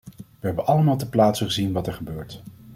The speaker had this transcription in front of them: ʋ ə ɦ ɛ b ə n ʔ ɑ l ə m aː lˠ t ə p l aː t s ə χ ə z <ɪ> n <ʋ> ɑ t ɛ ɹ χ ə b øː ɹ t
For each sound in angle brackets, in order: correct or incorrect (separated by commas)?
incorrect, correct